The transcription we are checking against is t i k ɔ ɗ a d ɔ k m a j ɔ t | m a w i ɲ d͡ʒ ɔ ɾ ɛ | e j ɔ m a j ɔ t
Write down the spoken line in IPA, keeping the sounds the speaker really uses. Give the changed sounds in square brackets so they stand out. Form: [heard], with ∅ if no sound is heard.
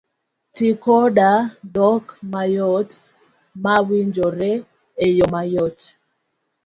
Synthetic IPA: t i k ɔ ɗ a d ɔ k m a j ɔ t | m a w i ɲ d͡ʒ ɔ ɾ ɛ | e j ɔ m a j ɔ t

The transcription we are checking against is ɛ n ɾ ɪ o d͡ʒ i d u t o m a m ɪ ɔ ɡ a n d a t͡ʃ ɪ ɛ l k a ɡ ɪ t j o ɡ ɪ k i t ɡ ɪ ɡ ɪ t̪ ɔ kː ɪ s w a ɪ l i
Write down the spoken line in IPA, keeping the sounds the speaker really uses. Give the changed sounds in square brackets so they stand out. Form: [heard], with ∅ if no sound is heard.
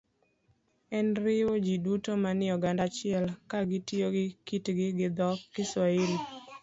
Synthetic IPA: ɛ n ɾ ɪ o d͡ʒ i d u t o m a [n] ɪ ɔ ɡ a n d a t͡ʃ ɪ ɛ l k a ɡ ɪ t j o ɡ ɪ k i t ɡ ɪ ɡ ɪ [d̪] ɔ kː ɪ s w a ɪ l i

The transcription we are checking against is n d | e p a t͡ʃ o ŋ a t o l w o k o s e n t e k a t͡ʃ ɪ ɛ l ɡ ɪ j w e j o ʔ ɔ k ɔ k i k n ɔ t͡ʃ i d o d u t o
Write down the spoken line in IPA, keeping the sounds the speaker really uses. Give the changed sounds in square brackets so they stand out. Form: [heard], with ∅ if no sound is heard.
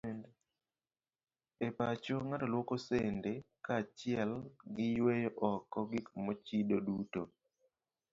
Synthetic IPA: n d | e p a t͡ʃ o ŋ a t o l w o k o s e n [d] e k a t͡ʃ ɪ ɛ l ɡ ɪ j w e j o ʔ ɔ k ɔ [ɡ] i k [m] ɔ t͡ʃ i d o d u t o

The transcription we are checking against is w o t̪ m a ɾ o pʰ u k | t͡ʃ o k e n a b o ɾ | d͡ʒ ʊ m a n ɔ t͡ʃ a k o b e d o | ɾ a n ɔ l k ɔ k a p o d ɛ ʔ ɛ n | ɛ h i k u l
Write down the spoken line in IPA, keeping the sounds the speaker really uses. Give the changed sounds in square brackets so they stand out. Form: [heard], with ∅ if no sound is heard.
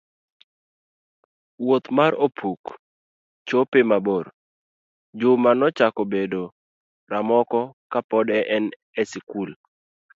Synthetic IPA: w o t̪ m a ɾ o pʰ u k | t͡ʃ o [p] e [m] a b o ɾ | d͡ʒ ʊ m a n ɔ t͡ʃ a k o b e d o | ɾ a [m] ɔ [∅] k ɔ k a p [ɔ] d ɛ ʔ ɛ n | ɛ [s] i k u l

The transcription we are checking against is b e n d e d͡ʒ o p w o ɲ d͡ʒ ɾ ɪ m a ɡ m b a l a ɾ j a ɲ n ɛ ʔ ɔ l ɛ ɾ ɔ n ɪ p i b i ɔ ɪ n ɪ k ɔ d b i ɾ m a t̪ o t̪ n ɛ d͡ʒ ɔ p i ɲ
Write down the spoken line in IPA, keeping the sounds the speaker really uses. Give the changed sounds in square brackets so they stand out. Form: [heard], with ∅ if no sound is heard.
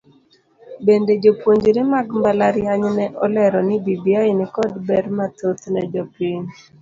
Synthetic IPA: b e n d e d͡ʒ o p w o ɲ d͡ʒ ɾ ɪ m a ɡ m b a l a ɾ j a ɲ n ɛ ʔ ɔ l ɛ ɾ ɔ n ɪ [b] i b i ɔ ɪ n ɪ k ɔ d b [ɛ] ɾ m a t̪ o t̪ n ɛ d͡ʒ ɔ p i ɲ

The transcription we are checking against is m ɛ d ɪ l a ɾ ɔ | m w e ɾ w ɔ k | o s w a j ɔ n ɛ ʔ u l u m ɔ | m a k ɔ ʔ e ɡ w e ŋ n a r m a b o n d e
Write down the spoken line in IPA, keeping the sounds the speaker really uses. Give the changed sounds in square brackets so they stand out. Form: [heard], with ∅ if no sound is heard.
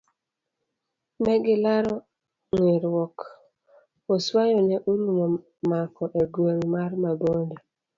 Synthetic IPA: m ɛ [ɡ] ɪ l a ɾ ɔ | [ŋ] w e ɾ w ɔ k | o s w a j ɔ n ɛ ʔ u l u m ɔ | m a k ɔ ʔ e ɡ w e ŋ [m] a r m a b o n d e

